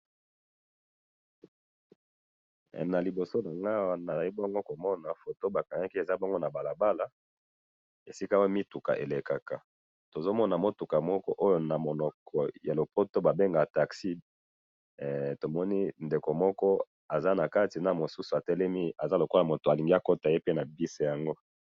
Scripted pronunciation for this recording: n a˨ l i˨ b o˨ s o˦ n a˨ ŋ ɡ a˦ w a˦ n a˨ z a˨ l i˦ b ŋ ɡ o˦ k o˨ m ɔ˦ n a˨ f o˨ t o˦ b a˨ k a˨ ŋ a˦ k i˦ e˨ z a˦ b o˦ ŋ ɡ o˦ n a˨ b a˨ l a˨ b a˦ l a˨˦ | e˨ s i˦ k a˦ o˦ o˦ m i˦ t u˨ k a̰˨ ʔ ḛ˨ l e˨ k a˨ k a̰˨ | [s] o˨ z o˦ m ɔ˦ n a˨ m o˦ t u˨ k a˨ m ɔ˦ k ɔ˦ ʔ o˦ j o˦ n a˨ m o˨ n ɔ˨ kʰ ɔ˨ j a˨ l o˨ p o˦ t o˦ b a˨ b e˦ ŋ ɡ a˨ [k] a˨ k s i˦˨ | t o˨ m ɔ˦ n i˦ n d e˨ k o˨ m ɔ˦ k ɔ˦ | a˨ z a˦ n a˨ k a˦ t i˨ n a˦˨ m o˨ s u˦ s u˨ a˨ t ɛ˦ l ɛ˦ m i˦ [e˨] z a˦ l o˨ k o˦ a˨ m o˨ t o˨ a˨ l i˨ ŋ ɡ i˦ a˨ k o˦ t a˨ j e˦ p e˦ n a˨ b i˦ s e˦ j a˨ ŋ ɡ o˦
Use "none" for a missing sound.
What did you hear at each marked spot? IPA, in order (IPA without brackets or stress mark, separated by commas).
t, t, a˨